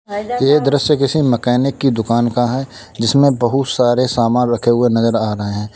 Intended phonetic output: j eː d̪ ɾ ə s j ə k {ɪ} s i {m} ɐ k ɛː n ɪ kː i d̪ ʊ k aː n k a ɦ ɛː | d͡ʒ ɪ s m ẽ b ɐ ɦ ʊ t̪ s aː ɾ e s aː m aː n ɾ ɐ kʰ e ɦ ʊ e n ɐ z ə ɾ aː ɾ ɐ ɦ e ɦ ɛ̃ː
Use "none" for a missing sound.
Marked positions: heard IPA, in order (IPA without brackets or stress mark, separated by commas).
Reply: ɪ, m